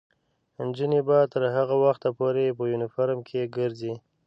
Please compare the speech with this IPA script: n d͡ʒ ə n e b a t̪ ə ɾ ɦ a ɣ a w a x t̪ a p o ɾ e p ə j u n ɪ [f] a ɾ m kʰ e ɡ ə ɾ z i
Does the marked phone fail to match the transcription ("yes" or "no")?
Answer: no